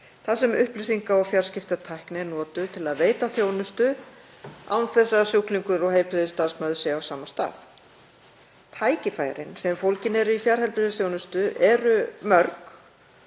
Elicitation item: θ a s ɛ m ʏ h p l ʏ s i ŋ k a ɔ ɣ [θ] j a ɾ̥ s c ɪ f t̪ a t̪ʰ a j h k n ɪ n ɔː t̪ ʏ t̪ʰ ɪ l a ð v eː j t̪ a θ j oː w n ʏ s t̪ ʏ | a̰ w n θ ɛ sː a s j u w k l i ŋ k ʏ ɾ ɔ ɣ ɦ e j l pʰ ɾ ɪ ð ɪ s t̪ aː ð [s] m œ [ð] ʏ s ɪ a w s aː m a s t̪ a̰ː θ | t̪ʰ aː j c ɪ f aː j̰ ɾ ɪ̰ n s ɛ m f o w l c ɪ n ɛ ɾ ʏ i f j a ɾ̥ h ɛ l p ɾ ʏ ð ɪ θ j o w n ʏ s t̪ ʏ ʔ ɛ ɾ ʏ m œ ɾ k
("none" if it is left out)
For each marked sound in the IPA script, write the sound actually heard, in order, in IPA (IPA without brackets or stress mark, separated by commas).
f, s, ð